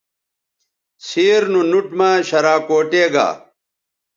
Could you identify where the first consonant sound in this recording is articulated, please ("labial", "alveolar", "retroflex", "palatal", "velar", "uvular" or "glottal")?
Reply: alveolar